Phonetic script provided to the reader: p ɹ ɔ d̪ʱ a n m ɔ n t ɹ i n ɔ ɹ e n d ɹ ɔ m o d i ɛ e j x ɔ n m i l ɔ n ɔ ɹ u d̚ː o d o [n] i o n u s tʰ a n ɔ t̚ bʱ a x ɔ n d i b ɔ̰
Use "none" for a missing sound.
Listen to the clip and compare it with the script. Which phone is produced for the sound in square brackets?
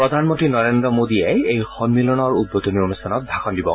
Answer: n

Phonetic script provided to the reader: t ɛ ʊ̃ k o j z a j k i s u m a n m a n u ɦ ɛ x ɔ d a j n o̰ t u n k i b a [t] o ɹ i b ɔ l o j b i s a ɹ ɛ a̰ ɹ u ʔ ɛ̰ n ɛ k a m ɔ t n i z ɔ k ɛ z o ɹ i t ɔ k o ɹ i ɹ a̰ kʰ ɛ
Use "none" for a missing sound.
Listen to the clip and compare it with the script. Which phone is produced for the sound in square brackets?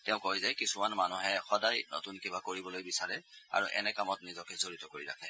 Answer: k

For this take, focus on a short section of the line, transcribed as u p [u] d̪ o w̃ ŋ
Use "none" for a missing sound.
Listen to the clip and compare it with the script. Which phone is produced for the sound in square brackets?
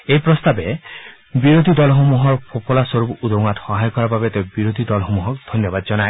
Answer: u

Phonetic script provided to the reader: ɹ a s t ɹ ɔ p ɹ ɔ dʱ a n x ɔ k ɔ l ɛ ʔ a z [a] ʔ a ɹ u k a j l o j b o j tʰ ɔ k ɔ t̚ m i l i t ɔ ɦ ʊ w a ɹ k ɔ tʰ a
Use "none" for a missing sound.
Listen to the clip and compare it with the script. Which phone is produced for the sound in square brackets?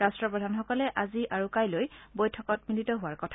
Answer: i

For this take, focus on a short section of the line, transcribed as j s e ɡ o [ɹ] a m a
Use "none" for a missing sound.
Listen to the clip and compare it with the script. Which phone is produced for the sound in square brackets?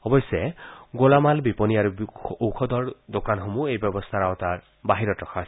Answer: l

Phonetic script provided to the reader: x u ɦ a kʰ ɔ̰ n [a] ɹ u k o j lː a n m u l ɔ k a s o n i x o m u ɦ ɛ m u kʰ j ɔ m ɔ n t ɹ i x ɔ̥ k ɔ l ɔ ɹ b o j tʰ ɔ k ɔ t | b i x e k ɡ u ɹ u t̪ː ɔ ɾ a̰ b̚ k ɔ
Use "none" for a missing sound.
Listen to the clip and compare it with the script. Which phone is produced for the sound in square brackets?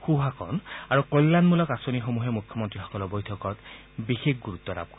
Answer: a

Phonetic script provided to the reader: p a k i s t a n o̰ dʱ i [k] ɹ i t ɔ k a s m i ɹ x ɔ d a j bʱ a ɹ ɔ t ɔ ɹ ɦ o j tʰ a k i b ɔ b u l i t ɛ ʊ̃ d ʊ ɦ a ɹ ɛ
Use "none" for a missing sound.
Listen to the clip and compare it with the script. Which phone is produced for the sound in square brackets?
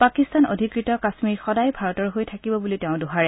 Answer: k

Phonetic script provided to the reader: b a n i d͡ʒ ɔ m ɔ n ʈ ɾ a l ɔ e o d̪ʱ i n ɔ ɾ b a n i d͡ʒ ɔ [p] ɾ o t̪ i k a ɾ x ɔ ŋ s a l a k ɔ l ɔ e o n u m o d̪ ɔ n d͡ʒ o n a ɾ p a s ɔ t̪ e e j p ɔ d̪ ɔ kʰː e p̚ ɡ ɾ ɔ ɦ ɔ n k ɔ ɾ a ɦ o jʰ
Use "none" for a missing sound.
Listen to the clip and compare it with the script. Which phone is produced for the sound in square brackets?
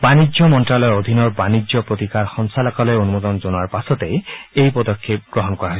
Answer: p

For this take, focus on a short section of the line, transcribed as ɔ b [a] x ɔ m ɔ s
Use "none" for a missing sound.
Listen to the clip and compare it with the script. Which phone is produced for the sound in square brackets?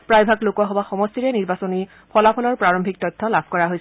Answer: a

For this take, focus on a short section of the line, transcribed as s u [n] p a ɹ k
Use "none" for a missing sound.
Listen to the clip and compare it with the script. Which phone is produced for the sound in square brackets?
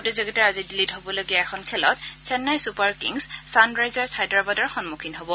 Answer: none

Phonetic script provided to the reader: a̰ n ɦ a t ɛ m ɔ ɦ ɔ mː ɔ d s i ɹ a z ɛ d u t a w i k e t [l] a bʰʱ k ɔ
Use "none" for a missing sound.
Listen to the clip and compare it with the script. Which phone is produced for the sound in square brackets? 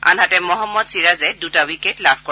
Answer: l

